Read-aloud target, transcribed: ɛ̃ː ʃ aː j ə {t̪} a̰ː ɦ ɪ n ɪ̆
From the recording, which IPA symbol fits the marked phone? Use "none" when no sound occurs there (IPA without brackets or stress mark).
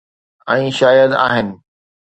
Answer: d̪